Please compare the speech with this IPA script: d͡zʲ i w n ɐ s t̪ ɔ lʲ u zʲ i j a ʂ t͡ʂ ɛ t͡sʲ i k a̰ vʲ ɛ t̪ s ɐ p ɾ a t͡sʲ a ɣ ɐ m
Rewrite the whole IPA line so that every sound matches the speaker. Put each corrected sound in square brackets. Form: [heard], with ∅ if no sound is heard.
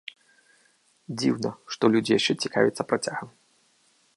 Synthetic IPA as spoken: d͡zʲ i w n ɐ [ʂ] t̪ ɔ lʲ u [d͡zʲ] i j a ʂ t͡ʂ ɛ t͡sʲ i k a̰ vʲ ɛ t̪ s ɐ p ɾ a t͡sʲ a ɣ ɐ m